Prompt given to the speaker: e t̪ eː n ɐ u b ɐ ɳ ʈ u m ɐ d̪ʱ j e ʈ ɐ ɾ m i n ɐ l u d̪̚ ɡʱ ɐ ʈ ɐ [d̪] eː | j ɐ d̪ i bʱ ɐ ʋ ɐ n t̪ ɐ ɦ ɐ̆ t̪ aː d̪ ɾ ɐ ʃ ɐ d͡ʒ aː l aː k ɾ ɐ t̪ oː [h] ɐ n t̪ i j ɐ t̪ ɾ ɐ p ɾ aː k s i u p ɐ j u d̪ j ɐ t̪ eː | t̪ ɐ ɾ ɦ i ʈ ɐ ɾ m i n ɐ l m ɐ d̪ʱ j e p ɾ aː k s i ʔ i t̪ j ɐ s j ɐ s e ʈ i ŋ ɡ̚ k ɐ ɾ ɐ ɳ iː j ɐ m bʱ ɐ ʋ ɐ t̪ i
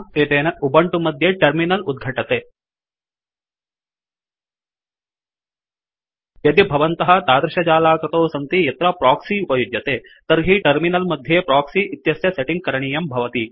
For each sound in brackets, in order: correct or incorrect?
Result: incorrect: t̪, incorrect: s

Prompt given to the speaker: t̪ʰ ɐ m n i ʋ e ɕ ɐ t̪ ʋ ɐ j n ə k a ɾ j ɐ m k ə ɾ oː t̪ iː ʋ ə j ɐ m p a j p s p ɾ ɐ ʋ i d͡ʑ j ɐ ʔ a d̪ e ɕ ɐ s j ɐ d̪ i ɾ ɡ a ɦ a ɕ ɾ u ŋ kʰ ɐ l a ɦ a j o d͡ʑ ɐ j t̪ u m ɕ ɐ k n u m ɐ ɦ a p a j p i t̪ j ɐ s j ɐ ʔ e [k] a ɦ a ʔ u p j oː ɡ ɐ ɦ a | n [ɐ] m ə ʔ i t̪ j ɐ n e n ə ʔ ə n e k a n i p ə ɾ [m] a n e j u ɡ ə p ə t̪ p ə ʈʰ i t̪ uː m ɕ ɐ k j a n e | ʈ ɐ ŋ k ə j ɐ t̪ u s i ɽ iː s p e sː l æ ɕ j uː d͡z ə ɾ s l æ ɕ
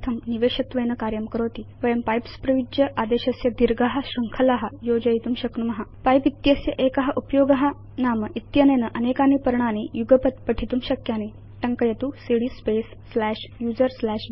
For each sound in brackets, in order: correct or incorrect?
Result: correct, incorrect: a, incorrect: ɳ

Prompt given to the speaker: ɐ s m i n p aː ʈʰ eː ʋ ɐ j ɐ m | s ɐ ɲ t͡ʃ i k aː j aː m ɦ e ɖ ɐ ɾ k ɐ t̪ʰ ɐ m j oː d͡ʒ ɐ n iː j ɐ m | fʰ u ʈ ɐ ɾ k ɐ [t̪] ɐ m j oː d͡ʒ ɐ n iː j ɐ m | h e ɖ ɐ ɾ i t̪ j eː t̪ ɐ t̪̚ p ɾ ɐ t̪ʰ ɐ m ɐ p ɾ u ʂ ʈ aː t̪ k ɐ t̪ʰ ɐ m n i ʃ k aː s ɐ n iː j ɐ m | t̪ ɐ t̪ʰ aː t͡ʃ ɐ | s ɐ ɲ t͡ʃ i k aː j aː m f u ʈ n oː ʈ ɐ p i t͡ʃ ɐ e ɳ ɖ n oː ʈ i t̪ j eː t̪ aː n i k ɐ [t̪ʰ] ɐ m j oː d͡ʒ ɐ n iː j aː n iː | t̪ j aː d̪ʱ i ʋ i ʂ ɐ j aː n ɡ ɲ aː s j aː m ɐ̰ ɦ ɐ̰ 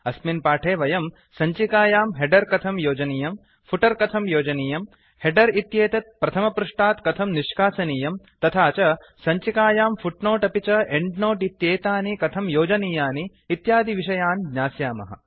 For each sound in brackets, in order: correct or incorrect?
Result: incorrect: t̪ʰ, correct

